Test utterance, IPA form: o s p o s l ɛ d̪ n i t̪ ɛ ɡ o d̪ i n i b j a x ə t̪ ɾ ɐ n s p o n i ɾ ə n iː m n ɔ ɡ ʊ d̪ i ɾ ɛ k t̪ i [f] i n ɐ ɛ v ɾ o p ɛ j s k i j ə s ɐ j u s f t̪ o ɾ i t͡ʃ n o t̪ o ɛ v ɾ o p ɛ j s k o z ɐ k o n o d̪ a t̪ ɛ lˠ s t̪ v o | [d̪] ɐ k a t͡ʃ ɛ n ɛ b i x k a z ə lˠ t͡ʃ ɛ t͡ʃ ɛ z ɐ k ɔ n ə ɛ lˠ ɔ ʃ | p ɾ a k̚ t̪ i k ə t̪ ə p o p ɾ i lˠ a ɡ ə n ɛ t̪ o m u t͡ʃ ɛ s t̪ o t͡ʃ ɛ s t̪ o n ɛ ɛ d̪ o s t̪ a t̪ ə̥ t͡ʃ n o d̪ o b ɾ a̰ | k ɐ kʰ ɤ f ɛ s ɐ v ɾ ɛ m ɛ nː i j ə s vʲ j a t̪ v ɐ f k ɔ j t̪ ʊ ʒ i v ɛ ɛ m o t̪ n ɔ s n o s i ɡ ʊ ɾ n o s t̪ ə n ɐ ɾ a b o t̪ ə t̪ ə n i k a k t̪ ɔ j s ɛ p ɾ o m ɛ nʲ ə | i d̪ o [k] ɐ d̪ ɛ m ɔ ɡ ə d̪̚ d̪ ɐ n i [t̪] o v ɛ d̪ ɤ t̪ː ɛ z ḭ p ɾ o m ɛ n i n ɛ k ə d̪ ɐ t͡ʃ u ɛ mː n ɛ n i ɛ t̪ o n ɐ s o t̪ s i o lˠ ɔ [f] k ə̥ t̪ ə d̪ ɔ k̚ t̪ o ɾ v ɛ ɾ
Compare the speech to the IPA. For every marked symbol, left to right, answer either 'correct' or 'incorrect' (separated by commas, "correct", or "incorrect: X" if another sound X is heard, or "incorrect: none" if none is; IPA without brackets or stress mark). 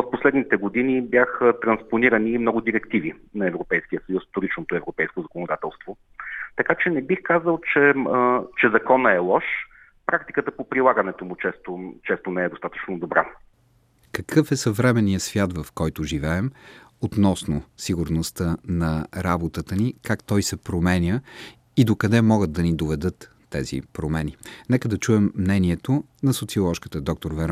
incorrect: v, incorrect: t̪, correct, incorrect: d̪, incorrect: ʃ